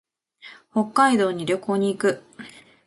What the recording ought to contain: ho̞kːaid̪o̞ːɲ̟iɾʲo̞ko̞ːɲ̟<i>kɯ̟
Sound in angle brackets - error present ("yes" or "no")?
yes